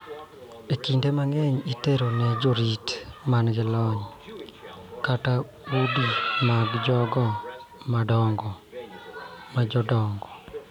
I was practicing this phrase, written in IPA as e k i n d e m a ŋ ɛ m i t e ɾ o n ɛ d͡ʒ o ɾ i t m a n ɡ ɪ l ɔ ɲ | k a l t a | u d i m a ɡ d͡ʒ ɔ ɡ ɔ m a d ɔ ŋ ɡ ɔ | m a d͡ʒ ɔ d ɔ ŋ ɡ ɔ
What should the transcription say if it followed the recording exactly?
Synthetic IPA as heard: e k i n d e m a ŋ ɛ ɲ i t e ɾ o n ɛ d͡ʒ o ɾ i t m a n ɡ ɪ l ɔ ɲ | k a t a | u d i m a ɡ d͡ʒ ɔ ɡ ɔ m a d ɔ ŋ ɡ ɔ | m a d͡ʒ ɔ d ɔ ŋ ɡ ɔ